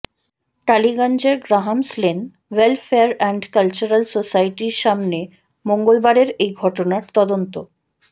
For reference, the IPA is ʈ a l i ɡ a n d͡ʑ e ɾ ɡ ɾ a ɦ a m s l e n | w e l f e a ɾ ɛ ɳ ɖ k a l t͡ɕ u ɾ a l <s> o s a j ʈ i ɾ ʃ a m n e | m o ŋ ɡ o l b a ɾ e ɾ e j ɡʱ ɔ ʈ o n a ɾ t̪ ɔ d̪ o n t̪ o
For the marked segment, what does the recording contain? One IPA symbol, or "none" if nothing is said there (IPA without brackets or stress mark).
s